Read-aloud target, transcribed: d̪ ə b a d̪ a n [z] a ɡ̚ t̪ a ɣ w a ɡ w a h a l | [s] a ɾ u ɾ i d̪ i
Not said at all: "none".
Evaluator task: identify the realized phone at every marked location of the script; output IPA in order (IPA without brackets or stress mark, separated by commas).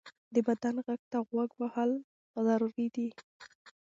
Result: ɣ, z